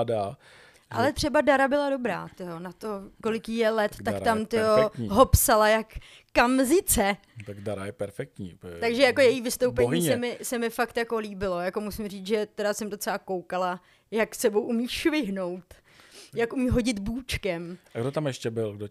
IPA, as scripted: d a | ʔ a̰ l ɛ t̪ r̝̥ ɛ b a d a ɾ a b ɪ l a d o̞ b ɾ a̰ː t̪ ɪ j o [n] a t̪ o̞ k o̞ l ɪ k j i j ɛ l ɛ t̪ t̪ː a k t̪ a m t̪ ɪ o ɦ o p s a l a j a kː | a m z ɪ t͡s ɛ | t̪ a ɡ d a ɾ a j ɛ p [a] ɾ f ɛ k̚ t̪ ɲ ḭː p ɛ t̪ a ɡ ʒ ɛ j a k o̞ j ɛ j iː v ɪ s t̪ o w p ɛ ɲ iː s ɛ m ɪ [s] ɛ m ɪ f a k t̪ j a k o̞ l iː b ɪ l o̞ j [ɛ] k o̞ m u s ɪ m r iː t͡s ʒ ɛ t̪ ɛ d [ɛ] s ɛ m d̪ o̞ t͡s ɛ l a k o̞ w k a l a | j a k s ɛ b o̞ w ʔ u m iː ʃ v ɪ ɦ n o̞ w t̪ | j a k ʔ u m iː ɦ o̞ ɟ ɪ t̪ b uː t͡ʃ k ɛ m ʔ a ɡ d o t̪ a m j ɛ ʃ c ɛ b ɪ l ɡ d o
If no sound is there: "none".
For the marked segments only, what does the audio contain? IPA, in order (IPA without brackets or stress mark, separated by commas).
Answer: n, ɛ, s, a, a